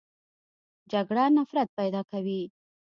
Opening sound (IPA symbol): d͡ʒ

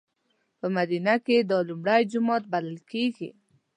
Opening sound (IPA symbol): p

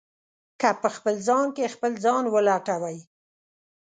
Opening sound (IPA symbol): k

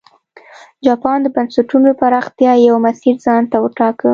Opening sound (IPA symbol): d͡ʒ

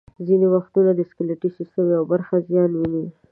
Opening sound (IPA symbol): z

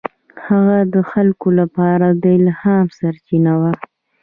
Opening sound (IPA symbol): h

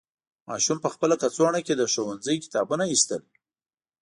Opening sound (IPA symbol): m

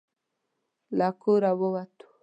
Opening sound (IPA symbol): l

